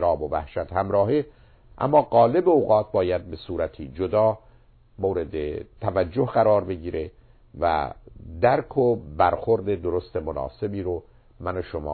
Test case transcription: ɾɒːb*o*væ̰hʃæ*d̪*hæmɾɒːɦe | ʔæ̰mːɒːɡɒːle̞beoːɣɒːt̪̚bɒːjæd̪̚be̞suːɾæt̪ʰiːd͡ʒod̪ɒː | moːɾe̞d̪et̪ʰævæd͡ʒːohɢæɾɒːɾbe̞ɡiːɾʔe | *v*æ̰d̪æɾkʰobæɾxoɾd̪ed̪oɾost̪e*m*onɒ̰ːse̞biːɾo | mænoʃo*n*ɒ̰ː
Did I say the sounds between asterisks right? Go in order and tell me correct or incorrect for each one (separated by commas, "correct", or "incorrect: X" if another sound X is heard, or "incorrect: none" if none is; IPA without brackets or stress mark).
correct, incorrect: t̪, correct, correct, incorrect: m